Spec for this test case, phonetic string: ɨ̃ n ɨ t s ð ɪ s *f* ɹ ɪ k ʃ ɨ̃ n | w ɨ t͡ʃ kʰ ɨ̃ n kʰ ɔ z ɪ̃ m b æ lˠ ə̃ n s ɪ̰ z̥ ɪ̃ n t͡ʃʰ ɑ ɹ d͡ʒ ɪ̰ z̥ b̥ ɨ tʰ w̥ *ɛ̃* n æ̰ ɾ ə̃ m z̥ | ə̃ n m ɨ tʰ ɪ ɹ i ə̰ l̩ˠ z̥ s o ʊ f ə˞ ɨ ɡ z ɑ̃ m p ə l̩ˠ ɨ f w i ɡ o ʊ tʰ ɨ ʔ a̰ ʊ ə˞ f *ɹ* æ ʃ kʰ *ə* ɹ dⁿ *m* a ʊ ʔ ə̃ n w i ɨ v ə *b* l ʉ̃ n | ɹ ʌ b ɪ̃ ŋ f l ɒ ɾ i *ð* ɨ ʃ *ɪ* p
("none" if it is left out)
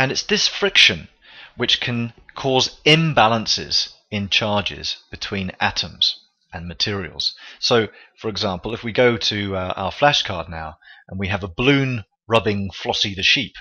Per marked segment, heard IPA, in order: f, ĩ, l, ɑ, n, b, ð, i

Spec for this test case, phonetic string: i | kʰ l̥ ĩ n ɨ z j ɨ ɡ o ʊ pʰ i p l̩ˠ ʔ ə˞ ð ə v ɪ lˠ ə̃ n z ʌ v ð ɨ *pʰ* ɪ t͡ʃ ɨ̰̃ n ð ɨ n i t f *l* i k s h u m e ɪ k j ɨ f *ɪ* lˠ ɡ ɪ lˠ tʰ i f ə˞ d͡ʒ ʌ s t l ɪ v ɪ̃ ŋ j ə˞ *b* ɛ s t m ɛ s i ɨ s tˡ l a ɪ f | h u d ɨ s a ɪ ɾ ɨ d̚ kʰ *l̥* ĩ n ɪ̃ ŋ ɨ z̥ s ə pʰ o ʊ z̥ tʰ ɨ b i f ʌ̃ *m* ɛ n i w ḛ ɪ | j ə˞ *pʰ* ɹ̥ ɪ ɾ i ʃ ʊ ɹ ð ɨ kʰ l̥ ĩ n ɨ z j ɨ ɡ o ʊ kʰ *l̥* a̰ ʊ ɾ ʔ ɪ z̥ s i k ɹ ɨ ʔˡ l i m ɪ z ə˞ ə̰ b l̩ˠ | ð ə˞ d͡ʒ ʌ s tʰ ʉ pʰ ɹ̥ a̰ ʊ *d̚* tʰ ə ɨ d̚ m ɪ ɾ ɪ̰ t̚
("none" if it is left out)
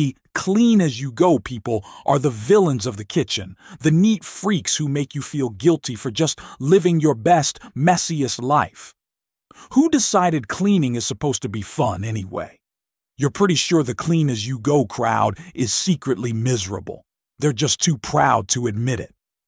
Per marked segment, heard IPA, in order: kʰ, ɹ, i, b, l̥, n, pʰ, ɹ̥, d̚

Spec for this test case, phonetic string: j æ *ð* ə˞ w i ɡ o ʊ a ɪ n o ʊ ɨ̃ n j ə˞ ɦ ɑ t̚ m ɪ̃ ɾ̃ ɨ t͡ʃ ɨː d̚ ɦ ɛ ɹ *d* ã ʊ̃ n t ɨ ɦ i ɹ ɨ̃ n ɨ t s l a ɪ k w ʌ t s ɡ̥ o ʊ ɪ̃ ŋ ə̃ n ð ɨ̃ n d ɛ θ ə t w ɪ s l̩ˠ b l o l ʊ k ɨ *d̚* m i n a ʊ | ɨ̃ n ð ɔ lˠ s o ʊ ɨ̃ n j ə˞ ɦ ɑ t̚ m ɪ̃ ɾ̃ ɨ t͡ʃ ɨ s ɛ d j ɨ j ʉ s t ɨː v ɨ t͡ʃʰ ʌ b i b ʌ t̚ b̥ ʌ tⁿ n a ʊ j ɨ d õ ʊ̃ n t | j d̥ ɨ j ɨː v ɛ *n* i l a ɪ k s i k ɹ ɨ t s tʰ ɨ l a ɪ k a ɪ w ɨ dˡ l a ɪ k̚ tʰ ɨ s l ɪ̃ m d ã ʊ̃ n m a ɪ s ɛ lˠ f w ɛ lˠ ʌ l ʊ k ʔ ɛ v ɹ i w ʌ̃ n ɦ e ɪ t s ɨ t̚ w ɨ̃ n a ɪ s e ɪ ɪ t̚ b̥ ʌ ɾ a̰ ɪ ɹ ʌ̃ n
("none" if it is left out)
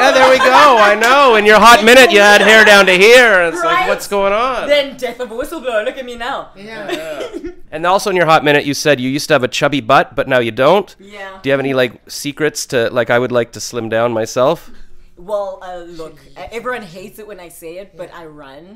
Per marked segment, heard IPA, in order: ð, d, t̚, n

